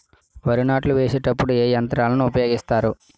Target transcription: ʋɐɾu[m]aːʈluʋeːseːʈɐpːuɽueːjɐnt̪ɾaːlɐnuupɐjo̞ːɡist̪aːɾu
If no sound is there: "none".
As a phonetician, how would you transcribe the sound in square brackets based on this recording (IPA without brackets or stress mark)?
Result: n